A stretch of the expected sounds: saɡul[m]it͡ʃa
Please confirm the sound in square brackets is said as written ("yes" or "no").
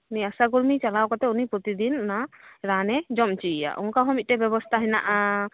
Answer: yes